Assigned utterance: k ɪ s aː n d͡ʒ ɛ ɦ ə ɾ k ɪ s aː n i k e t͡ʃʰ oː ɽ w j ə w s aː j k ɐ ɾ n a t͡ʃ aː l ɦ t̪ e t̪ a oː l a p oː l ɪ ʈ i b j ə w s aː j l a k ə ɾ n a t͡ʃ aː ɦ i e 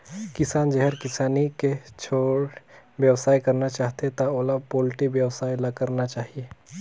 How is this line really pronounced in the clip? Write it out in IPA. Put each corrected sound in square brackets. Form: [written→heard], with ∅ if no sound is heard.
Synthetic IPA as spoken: k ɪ s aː n d͡ʒ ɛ ɦ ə ɾ k ɪ s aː n i k e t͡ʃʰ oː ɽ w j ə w s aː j k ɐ ɾ n a t͡ʃ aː [l→∅] ɦ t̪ e t̪ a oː l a p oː l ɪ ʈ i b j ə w s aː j l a k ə ɾ n a t͡ʃ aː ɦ i e